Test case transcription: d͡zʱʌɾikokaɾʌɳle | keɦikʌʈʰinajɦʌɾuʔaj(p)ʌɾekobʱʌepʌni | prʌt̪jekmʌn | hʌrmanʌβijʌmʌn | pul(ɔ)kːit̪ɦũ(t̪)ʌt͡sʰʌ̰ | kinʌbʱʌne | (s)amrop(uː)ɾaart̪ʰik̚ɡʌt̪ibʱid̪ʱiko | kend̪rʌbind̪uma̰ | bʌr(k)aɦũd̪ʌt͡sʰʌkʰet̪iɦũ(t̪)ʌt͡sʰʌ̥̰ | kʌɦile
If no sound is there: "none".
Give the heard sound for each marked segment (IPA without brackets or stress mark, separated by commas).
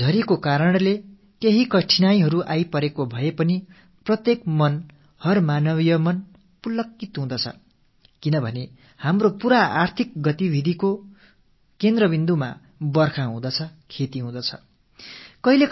p, ʌ, d̪, h, u, kʰ, d̪